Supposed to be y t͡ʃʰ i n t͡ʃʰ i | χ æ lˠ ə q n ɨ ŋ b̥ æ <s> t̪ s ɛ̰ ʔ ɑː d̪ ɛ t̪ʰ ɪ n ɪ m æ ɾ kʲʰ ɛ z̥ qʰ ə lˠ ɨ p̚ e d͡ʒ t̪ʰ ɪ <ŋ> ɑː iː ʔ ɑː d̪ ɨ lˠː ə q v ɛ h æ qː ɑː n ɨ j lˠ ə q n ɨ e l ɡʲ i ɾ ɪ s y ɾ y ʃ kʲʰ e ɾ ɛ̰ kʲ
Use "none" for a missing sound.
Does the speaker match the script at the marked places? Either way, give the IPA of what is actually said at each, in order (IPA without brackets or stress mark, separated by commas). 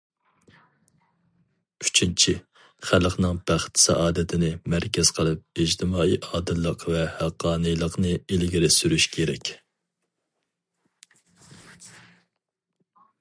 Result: χ, m